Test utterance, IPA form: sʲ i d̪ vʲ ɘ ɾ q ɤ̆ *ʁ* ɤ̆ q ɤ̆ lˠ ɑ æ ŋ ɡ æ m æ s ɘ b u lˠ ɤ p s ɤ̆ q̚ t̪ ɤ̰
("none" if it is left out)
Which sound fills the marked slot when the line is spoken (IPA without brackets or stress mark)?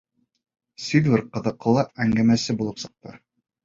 ð